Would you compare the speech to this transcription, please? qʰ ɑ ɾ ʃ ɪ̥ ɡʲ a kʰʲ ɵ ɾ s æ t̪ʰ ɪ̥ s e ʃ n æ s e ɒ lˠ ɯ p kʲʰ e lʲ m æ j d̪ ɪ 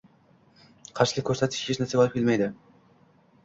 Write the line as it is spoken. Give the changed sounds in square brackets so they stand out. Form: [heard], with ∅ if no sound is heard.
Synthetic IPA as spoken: qʰ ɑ ɾ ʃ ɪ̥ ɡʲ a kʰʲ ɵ ɾ s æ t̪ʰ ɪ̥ [ʃ] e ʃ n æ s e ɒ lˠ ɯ p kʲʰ e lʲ m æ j d̪ ɪ